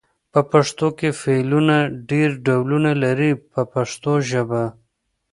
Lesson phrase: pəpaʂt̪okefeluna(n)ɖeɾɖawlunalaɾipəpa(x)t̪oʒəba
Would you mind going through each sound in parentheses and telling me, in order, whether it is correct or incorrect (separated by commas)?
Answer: incorrect, incorrect